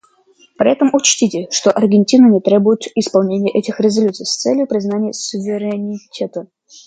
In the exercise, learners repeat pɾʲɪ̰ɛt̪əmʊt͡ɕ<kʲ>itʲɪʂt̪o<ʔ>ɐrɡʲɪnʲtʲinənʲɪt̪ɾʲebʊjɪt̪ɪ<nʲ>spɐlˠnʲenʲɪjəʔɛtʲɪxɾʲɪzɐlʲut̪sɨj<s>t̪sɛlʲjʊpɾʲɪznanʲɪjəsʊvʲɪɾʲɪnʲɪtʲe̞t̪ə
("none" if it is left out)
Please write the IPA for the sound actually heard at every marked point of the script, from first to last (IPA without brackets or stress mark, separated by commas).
tʲ, ʔ, none, s